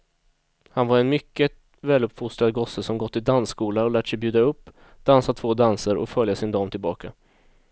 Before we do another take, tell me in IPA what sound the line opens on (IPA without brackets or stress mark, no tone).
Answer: h